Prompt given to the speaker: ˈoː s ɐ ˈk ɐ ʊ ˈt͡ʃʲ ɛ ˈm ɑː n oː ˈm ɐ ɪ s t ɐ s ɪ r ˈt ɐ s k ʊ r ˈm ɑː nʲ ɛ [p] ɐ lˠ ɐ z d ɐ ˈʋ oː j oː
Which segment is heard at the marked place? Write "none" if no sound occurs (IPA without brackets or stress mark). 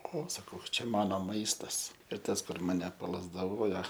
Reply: p